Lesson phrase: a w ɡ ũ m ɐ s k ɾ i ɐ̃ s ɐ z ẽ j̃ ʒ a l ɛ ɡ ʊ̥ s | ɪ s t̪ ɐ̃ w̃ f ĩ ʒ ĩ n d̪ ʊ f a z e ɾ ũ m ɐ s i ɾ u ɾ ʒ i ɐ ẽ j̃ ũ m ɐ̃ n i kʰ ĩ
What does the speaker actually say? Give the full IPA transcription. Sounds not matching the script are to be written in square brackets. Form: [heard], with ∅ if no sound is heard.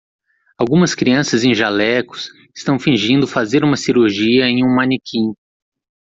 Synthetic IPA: a w ɡ ũ m ɐ s k ɾ i ɐ̃ s ɐ z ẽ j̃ ʒ a l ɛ [k] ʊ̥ s | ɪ s t̪ ɐ̃ w̃ f ĩ ʒ ĩ n d̪ ʊ f a z e ɾ ũ m ɐ s i ɾ u ɾ ʒ i ɐ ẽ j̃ ũ m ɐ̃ n i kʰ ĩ